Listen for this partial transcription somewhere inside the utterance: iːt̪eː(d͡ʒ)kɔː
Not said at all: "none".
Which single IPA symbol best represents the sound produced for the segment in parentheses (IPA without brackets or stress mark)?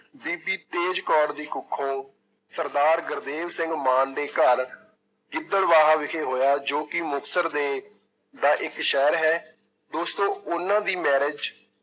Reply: d͡ʒ